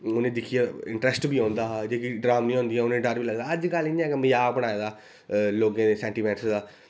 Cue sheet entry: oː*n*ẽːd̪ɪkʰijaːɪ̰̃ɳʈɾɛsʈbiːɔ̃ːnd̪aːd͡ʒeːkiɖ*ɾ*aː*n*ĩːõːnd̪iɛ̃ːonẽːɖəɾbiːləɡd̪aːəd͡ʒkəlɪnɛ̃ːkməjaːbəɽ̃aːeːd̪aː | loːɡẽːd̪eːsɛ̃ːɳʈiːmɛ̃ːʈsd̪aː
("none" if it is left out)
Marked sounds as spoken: n, ɾ, m

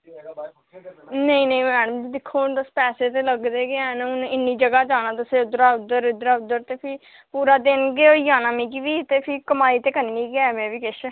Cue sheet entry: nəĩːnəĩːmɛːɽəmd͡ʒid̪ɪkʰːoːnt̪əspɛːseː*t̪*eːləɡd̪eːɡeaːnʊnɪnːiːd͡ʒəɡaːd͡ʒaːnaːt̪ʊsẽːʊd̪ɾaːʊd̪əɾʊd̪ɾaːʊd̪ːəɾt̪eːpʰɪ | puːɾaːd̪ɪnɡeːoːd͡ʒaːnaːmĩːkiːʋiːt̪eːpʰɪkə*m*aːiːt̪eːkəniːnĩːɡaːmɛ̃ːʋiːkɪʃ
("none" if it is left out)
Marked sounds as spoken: t̪, m

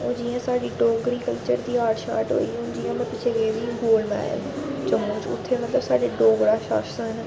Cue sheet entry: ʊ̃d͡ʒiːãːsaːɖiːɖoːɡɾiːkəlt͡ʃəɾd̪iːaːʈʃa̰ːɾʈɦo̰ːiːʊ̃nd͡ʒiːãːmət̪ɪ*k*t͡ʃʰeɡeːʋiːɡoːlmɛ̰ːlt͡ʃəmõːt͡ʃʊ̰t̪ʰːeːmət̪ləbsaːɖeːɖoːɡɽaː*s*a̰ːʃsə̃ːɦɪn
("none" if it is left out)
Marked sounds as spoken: none, ʃ

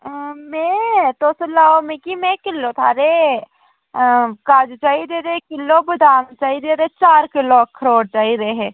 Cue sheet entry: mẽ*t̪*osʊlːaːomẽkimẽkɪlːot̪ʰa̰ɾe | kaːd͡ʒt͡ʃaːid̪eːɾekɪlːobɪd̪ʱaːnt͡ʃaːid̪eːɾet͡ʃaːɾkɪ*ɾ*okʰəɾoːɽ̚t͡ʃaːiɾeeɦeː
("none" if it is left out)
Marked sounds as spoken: t̪, l

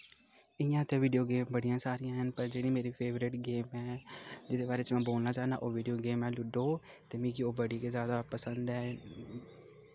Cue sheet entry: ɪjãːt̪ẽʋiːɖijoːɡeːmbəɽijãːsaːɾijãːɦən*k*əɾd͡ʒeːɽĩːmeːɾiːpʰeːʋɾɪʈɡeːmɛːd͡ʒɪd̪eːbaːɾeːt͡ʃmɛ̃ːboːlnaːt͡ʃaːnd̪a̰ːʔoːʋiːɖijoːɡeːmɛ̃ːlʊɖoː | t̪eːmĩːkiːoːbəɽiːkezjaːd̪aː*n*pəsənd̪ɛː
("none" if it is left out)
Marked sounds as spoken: p, none

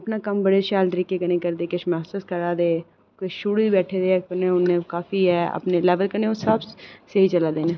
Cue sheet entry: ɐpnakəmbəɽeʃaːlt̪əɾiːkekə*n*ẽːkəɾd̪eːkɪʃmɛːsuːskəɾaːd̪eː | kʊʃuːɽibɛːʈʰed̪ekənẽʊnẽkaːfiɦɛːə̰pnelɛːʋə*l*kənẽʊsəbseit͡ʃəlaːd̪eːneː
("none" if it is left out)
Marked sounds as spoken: n, l

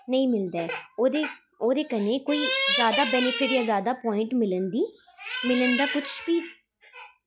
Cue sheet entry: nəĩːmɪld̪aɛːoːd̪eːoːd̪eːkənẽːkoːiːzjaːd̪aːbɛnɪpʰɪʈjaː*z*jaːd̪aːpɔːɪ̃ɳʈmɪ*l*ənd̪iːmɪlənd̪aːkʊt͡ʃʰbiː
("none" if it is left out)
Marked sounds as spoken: z, l

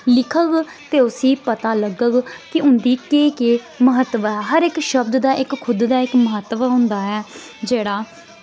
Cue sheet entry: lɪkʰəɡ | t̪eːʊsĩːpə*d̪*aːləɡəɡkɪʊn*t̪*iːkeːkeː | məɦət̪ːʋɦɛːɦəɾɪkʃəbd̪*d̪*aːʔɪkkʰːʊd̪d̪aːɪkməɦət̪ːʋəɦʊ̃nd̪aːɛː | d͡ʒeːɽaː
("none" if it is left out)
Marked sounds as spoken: t̪, d̪, d̪

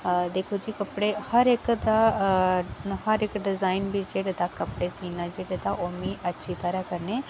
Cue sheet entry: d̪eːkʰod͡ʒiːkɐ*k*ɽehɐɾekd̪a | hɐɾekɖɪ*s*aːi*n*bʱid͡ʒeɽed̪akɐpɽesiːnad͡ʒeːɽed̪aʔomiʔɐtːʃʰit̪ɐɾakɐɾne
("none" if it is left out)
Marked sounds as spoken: p, z, n

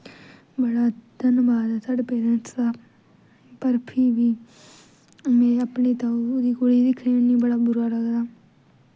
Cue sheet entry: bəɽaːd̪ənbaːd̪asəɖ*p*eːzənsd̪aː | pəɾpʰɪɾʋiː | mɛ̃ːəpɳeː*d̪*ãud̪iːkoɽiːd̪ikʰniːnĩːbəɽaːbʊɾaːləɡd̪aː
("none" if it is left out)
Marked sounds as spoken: p, t̪

